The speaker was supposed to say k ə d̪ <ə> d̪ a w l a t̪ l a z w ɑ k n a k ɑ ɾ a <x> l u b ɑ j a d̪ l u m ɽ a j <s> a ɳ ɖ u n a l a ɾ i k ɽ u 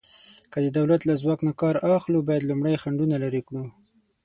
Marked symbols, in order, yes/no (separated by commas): yes, yes, no